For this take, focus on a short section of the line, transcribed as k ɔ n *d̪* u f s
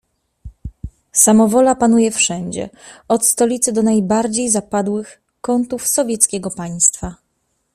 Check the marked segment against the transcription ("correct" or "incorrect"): incorrect